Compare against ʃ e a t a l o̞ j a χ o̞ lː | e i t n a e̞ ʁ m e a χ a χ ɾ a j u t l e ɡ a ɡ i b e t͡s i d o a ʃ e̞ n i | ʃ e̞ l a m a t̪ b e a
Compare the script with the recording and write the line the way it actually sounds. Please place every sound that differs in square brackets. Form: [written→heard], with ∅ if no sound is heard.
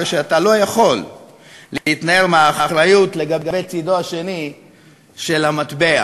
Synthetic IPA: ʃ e a t a l o̞ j a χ o̞ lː | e i t n a e̞ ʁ m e a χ a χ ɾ a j u t l e ɡ a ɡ [i→a] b e t͡s i d o a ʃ e̞ n i | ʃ e̞ l a m a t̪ b e a